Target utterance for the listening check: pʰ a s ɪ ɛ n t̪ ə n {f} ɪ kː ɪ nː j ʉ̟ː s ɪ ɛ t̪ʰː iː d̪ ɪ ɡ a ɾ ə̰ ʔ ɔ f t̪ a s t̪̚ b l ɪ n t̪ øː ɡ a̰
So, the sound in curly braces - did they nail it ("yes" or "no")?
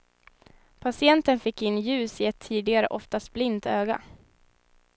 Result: yes